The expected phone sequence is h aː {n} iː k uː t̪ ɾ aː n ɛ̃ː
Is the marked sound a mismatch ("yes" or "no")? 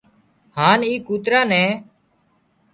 no